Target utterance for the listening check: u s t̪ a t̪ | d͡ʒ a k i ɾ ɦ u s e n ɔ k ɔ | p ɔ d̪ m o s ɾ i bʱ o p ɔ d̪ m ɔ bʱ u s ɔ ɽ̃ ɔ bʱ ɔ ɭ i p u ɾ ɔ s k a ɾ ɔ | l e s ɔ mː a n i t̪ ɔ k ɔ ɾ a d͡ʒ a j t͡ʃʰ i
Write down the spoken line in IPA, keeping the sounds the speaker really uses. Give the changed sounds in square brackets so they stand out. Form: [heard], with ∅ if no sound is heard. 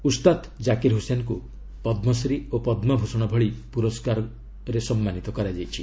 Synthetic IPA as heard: u s t̪ a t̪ | d͡ʒ a k i ɾ ɦ u s e n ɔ k [u] | p ɔ d̪ m [ɔ] s ɾ i [∅] o p ɔ d̪ m ɔ bʱ u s ɔ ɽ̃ ɔ bʱ ɔ ɭ i p u ɾ ɔ s k a ɾ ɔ | [ɾ] e s ɔ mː a n i t̪ ɔ k ɔ ɾ a d͡ʒ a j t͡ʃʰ i